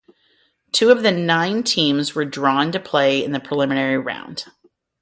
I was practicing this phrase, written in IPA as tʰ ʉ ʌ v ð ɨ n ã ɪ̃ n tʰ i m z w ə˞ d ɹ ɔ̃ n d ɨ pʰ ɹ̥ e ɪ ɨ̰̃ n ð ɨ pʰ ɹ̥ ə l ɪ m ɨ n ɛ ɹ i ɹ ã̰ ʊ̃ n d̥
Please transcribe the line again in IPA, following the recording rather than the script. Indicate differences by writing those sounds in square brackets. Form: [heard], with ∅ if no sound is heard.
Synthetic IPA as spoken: tʰ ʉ ʌ v ð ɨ n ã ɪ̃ n tʰ [ĩ] m z w ə˞ d ɹ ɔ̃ n [t] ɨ pʰ [l̥] e ɪ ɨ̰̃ n ð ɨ pʰ ɹ̥ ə l ɪ m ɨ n ɛ ɹ i ɹ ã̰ ʊ̃ n d̥